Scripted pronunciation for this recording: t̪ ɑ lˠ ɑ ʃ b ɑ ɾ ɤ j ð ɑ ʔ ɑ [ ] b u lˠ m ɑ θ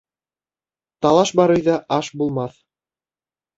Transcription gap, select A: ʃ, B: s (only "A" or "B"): A